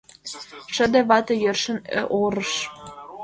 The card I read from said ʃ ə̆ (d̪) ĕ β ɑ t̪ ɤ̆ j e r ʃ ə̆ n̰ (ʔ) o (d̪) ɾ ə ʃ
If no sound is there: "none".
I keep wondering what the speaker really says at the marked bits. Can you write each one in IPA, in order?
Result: d̪, ʔ, none

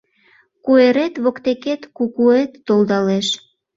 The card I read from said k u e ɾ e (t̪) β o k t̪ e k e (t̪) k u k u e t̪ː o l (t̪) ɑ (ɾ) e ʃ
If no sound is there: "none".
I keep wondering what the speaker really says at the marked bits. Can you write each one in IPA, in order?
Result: t̪, t̪, d̪, l

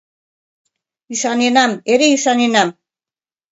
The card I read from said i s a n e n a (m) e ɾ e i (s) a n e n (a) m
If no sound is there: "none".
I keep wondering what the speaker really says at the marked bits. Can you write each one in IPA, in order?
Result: m, s, a

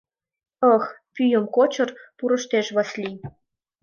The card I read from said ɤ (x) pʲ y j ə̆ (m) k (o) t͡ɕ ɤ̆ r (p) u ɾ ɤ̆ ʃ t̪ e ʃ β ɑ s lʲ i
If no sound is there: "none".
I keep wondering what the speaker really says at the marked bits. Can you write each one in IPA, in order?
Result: x, m, o, p

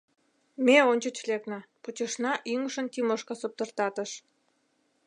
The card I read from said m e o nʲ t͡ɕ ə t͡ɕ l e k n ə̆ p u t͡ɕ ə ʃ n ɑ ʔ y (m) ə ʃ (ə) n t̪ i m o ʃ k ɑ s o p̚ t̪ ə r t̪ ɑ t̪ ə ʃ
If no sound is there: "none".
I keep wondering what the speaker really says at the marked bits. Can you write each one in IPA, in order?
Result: ŋ, ə

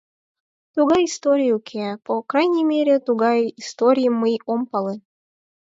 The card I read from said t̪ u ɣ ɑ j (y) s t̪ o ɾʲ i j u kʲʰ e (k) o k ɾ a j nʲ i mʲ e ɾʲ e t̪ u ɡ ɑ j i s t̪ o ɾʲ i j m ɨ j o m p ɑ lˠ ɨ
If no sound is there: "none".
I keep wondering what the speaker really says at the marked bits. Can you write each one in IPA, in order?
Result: i, p

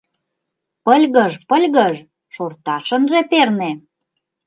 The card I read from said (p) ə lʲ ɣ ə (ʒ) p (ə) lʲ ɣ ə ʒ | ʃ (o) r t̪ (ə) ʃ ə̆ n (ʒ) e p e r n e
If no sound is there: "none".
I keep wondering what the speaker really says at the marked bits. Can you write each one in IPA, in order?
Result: p, ʒ, ə, o, ɑ, ʒ

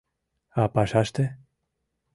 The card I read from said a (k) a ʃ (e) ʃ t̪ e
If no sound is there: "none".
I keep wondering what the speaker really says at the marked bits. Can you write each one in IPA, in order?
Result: p, a

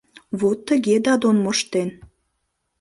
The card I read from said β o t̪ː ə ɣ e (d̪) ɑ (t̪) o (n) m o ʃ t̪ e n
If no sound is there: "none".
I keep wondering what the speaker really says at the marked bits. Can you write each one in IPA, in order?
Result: d̪, d̪, n

